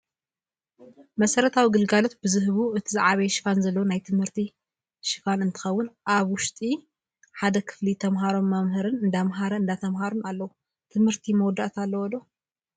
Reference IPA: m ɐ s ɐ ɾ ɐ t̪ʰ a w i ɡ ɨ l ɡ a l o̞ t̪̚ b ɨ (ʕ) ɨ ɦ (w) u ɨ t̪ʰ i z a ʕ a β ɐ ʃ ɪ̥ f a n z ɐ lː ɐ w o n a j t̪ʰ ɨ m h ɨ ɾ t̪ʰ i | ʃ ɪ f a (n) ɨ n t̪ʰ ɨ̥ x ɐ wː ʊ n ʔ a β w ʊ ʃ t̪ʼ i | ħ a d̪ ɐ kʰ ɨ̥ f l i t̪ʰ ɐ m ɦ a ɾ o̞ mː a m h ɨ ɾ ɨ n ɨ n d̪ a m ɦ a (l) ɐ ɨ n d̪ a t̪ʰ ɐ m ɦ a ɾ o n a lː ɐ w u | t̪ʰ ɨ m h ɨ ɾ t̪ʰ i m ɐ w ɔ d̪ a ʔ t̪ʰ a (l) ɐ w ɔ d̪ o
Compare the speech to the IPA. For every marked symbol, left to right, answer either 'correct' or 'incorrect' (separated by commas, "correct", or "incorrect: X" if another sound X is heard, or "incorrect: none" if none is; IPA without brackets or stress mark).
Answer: incorrect: z, incorrect: β, correct, incorrect: ɾ, incorrect: lː